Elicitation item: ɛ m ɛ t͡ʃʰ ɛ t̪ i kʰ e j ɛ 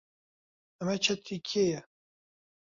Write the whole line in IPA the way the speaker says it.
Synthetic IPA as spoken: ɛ m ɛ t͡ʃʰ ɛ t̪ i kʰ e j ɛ